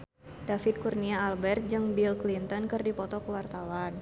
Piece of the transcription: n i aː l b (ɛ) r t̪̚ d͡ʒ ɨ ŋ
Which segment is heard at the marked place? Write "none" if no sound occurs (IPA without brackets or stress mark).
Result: ɛ